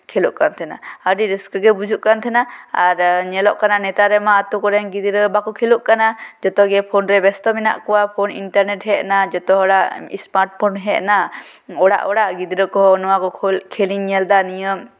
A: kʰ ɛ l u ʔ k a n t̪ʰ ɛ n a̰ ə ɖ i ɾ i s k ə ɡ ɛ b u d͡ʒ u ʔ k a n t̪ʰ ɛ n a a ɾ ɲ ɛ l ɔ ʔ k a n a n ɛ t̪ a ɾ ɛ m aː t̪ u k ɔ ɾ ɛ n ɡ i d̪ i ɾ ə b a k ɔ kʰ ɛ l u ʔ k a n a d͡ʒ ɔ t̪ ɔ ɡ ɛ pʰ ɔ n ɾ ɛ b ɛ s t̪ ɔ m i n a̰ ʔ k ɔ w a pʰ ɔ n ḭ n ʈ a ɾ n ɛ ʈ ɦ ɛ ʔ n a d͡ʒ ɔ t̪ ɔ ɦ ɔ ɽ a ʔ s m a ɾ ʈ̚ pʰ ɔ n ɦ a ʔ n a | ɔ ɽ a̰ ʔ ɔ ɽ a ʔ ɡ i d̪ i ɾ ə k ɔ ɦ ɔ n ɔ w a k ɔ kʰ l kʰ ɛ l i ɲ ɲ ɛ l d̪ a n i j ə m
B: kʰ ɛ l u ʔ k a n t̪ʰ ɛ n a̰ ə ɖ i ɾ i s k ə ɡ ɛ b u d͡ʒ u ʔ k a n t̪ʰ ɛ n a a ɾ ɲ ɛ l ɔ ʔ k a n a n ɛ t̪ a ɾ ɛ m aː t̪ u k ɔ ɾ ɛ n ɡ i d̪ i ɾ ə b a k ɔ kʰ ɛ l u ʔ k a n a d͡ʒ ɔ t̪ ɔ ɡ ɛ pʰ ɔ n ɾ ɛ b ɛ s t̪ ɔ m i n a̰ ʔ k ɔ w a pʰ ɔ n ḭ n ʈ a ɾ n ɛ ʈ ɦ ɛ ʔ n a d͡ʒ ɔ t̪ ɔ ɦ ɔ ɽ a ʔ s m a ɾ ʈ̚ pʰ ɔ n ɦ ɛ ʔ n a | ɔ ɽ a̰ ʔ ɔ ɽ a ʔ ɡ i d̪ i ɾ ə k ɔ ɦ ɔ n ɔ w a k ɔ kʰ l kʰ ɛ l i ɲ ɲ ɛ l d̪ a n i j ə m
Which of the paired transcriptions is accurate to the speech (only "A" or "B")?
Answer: B